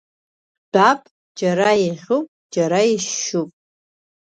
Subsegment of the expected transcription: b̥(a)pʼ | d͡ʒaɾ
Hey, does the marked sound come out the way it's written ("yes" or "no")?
yes